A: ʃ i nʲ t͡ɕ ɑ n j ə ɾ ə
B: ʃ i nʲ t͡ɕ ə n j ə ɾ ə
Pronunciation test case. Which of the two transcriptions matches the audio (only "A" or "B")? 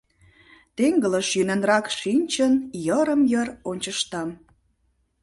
B